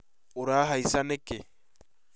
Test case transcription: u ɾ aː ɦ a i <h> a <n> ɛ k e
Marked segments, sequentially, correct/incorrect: incorrect, correct

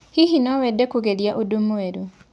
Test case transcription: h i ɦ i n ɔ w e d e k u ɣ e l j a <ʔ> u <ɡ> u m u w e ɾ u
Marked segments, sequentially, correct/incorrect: correct, incorrect

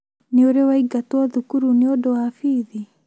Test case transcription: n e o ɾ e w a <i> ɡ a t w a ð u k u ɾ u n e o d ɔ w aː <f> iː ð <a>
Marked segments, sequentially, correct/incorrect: correct, correct, incorrect

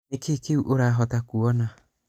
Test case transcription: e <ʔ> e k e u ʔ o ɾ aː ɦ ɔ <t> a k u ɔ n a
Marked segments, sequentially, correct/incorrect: incorrect, correct

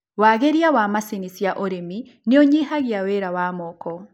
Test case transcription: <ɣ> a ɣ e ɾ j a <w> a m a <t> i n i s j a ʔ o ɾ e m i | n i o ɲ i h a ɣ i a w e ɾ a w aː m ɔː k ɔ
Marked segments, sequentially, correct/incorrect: incorrect, correct, incorrect

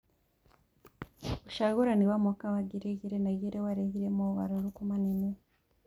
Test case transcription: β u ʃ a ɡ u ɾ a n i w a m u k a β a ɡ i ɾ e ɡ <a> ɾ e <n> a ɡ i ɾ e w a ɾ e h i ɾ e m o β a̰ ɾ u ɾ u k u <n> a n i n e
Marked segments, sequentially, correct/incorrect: incorrect, correct, incorrect

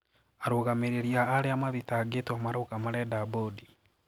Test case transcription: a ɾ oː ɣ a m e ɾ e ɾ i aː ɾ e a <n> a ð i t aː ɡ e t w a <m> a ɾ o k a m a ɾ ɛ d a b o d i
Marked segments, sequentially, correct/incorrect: incorrect, correct

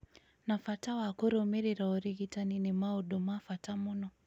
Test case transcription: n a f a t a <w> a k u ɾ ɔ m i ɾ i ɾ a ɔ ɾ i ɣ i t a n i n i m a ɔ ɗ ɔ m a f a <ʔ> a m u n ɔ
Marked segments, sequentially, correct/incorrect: correct, incorrect

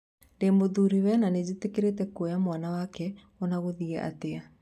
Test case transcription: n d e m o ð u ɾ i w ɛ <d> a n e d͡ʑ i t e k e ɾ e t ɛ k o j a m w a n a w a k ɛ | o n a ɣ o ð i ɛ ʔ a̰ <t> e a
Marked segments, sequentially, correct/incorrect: incorrect, correct

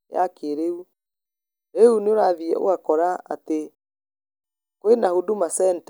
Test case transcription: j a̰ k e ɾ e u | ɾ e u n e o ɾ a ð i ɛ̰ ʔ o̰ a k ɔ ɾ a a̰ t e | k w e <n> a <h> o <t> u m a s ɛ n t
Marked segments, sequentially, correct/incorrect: correct, correct, incorrect

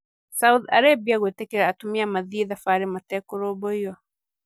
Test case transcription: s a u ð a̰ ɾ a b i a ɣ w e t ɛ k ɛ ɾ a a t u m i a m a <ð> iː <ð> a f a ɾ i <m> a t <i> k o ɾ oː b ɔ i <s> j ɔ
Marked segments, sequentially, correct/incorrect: correct, correct, correct, incorrect, incorrect

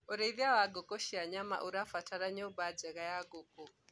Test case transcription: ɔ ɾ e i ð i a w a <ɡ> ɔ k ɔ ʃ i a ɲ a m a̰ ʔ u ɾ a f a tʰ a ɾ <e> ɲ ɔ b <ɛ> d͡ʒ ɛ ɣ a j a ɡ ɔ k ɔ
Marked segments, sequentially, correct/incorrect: correct, incorrect, incorrect

